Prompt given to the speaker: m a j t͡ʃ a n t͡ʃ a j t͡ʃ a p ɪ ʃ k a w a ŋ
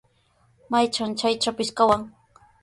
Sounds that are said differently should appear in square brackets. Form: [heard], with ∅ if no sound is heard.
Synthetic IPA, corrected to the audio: m a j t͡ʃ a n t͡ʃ a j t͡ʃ a p ɪ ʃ k a w a ŋ